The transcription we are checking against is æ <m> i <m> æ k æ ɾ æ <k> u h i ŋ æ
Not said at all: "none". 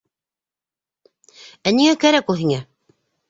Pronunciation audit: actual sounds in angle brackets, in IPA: n, ŋ, k

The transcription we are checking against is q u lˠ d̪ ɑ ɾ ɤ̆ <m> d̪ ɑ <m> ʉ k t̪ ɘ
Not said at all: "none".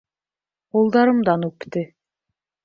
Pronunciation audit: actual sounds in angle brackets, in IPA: m, n

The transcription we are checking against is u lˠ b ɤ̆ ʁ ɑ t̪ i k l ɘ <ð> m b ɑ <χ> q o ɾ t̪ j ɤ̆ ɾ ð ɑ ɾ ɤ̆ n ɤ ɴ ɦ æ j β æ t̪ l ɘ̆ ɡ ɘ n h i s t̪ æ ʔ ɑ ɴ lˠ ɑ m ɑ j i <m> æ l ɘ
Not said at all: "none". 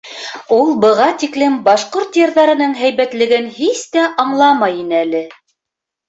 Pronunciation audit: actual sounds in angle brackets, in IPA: none, ʃ, n

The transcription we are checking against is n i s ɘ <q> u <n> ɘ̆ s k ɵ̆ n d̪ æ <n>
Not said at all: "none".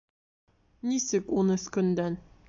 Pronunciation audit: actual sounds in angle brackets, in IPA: k, n, n

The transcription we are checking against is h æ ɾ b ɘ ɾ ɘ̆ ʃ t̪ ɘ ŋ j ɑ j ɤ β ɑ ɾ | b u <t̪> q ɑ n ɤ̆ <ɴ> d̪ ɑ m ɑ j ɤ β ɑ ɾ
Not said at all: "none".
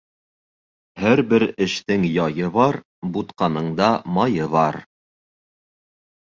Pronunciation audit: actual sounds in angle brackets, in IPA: t̪, ɴ

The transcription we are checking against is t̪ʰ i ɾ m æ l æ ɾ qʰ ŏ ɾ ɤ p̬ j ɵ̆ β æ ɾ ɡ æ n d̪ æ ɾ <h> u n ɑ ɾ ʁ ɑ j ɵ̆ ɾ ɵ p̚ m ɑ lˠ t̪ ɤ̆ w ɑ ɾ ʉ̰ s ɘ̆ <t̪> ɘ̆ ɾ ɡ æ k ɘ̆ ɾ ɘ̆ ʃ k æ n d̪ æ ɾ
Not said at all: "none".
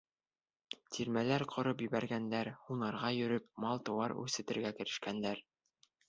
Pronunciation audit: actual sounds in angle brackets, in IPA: h, t̪

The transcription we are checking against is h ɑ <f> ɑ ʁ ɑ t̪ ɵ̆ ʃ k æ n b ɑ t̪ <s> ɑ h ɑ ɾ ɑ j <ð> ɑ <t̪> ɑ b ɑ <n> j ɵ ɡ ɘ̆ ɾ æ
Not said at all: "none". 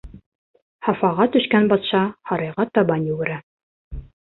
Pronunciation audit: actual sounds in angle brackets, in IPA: f, ʃ, ʁ, t̪, n

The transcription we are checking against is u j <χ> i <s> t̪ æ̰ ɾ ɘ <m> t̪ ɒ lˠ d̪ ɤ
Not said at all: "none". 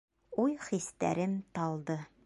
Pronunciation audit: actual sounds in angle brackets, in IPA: χ, s, m

